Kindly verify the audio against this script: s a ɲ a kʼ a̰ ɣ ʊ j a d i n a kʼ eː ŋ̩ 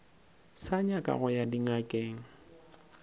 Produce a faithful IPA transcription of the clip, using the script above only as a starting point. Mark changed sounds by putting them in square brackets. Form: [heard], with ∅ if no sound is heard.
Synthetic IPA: s a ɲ a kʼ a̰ ɣ ʊ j a d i [ŋ] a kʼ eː ŋ̩